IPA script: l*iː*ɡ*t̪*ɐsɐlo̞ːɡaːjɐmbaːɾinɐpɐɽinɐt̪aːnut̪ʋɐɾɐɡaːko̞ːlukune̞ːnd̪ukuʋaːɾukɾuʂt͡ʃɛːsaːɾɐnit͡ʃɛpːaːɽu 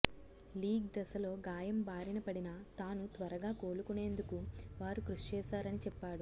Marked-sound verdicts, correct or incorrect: correct, incorrect: d̪

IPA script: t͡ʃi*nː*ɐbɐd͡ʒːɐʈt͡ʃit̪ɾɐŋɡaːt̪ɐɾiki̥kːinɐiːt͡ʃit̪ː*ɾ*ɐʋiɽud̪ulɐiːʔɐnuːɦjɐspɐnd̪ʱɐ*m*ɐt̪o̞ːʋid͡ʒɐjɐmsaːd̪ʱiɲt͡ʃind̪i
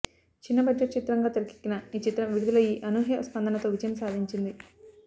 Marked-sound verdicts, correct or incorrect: correct, correct, incorrect: n

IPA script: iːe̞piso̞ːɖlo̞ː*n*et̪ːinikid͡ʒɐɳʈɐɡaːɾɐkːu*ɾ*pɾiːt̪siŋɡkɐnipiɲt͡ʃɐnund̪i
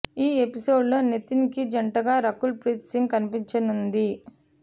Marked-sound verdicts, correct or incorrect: correct, incorrect: l

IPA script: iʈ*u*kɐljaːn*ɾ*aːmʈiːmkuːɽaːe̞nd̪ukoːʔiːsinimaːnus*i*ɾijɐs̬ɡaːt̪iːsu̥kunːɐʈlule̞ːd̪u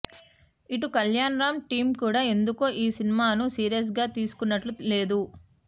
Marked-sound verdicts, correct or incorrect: correct, correct, incorrect: iː

